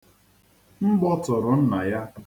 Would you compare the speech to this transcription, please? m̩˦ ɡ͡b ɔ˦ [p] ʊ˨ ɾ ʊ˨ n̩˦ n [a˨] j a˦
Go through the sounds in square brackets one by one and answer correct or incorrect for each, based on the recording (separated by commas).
incorrect, correct